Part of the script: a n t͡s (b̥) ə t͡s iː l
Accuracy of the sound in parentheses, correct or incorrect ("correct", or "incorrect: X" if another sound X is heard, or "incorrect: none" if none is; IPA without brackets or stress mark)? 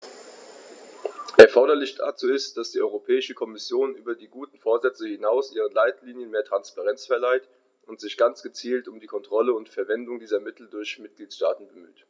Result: incorrect: ɡ̥